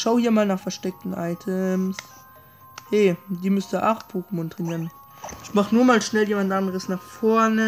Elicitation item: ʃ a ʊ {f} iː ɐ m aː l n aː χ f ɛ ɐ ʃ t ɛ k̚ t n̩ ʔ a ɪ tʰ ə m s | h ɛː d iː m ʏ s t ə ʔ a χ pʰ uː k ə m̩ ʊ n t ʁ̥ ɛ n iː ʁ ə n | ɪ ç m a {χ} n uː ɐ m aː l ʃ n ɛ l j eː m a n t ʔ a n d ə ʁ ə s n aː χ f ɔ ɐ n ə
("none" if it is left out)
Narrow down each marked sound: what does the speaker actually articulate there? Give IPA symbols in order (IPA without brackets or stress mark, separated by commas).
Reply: h, χ